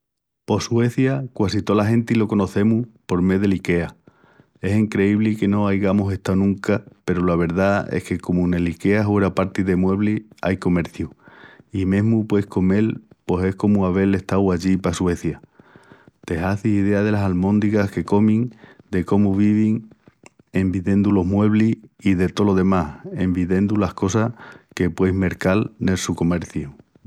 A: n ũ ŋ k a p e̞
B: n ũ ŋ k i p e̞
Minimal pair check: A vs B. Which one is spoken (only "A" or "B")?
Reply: A